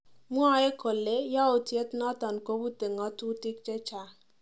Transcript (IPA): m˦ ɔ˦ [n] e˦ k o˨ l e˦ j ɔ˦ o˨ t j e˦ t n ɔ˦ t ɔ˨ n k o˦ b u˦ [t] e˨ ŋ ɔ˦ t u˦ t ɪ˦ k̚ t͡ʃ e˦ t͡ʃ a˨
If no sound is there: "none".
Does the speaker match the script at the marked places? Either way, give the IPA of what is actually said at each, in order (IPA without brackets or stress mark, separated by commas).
none, t